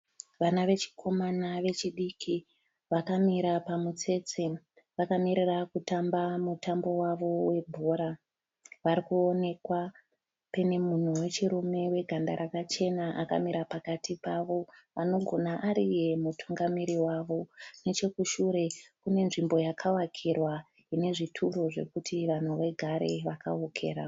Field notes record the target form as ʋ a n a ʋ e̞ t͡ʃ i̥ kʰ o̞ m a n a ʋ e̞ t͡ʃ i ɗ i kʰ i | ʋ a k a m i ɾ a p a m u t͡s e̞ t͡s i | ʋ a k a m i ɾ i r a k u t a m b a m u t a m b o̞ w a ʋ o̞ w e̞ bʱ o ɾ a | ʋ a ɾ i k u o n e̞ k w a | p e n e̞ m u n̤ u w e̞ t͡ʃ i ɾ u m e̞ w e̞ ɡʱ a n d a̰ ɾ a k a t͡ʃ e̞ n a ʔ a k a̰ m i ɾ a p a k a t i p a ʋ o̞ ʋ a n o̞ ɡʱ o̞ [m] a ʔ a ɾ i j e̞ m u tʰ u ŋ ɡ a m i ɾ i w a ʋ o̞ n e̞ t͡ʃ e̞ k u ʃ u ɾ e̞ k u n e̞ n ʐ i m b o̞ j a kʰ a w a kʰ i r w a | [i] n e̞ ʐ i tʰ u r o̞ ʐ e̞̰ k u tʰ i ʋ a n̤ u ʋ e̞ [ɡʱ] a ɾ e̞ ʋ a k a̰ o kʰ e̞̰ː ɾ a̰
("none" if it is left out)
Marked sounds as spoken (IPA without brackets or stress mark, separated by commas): n, i, ɡʱ